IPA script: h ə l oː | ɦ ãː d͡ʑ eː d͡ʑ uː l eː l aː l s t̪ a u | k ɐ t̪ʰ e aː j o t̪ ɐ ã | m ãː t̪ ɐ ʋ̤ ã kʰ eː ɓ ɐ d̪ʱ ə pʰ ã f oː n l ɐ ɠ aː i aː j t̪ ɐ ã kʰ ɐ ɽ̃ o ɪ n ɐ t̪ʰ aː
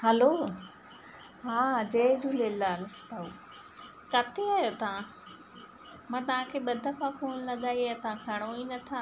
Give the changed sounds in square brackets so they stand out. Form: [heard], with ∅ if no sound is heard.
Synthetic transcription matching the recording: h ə l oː | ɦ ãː d͡ʑ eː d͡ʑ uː l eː l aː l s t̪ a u | k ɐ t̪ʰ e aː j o t̪ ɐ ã | m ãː t̪ ɐ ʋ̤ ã kʰ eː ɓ ɐ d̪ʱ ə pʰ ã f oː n l ɐ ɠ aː i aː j t̪ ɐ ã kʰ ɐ ɽ̃ o [i] n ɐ t̪ʰ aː